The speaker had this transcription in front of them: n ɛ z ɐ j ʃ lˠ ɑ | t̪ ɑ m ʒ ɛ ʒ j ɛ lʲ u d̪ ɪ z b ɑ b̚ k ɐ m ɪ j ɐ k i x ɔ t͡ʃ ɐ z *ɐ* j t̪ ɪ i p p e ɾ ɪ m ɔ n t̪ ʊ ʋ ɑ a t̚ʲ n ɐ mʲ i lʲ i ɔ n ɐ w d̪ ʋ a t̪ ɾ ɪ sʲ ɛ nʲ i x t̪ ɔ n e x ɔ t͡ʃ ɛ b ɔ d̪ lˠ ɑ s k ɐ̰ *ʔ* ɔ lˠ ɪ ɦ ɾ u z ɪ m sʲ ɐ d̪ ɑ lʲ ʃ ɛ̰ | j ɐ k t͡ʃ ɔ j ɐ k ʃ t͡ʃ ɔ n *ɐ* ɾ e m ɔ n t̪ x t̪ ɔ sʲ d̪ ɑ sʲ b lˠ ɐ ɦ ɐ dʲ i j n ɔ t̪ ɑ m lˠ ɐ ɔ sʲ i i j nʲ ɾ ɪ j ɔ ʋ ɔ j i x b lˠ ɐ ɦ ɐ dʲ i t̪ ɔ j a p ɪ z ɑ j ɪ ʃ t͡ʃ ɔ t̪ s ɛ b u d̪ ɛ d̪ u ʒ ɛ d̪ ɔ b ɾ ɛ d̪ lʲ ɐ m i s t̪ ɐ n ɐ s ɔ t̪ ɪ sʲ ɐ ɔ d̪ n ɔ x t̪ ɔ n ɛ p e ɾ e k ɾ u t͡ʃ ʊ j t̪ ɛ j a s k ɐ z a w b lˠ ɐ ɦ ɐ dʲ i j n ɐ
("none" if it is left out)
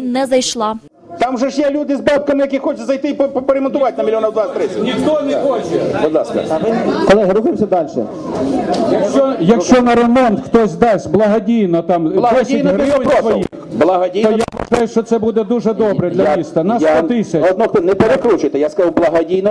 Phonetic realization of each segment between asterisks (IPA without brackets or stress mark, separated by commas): ɐ, k, ɐ